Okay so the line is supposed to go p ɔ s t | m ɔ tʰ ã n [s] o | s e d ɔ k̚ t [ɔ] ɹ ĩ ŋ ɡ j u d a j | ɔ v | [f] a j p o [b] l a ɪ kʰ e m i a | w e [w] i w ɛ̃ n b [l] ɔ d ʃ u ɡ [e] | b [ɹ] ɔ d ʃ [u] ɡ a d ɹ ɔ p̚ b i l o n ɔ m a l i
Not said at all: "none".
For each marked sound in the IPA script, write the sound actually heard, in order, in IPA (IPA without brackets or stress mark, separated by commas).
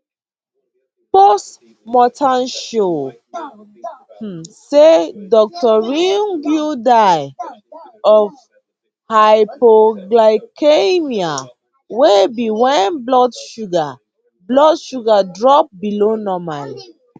ʃ, ɔ, h, ɡ, b, l, a, l, u